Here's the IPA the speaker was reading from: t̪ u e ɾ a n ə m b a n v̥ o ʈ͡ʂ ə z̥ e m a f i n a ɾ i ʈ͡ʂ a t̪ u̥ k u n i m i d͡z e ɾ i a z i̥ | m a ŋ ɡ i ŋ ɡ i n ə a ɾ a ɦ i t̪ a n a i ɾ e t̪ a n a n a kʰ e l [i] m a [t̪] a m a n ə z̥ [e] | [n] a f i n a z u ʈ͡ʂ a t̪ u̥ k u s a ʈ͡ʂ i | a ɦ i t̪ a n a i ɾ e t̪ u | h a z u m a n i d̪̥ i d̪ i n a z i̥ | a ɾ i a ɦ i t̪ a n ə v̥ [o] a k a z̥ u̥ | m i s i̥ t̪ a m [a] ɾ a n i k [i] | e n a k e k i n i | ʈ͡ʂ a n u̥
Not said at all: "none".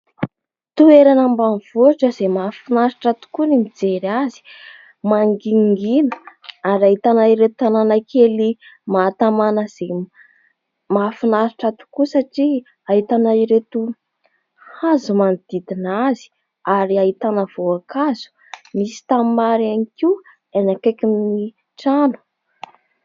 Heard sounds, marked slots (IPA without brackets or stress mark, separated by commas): i, t̪, e, m, o, a, i